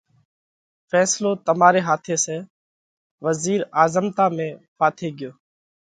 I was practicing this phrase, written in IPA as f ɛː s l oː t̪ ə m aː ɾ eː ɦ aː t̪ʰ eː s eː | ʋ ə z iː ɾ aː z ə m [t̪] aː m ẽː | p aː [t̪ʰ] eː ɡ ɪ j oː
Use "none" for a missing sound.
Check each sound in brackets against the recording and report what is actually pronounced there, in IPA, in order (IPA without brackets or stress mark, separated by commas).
t̪, t̪ʰ